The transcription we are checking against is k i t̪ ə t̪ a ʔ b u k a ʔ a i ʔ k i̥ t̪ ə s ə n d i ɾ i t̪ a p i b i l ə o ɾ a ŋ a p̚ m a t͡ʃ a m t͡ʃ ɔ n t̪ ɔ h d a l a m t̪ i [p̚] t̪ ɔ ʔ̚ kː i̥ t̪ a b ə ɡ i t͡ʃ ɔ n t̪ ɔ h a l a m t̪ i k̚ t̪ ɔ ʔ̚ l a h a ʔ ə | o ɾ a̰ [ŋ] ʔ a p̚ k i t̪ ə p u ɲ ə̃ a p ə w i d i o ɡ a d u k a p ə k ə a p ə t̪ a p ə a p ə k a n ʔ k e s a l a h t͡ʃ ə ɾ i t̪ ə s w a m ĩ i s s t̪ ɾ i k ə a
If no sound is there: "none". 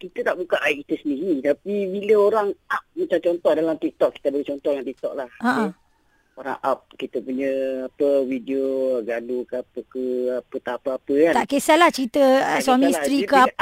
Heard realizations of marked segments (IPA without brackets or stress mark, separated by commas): k̚, ŋ